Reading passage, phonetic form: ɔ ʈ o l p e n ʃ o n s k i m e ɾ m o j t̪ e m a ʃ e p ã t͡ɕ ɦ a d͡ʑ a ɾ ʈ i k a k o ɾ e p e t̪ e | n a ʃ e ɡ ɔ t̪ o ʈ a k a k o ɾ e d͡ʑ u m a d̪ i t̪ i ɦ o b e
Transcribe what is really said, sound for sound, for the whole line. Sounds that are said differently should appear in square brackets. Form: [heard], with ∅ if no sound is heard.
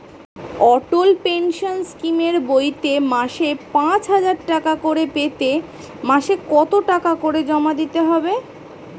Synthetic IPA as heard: ɔ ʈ o l p e n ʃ o n s k i m e ɾ [b] o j t̪ e m a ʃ e p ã t͡ɕ ɦ a d͡ʑ a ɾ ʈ [a] k a k o ɾ e p e t̪ e | [m] a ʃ e [k] ɔ t̪ o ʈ a k a k o ɾ e d͡ʑ [ɔ] m a d̪ i t̪ [e] ɦ [ɔ] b e